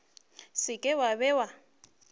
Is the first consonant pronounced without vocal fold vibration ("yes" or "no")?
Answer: yes